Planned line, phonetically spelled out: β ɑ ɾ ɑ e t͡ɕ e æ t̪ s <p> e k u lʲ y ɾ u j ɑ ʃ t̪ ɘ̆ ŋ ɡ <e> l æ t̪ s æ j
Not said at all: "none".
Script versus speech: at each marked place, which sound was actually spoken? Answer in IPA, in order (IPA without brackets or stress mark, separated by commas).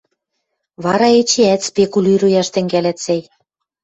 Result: p, æ